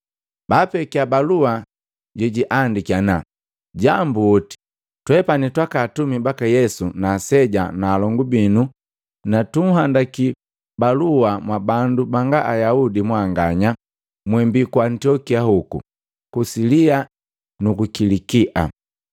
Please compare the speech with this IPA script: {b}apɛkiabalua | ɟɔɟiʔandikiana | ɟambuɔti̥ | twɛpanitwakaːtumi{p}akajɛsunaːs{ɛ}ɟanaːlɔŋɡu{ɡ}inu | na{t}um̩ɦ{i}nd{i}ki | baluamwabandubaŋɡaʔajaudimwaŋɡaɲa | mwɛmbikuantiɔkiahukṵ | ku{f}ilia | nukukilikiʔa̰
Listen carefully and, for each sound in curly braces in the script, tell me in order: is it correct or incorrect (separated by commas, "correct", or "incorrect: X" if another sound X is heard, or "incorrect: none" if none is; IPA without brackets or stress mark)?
correct, incorrect: b, correct, incorrect: b, correct, incorrect: a, incorrect: a, incorrect: s